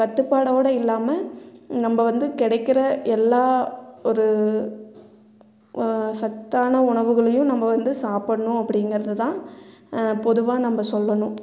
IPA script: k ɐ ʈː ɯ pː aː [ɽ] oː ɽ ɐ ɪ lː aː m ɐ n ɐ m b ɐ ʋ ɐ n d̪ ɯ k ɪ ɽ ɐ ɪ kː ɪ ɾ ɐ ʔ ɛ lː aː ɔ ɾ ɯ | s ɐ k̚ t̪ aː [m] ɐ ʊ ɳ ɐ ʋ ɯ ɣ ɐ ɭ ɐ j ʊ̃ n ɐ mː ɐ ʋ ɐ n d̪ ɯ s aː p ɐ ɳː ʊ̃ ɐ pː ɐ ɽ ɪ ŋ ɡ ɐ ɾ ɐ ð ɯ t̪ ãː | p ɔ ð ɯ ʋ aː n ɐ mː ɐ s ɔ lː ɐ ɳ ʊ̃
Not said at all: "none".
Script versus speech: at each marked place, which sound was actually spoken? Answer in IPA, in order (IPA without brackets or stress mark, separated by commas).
ɽ, n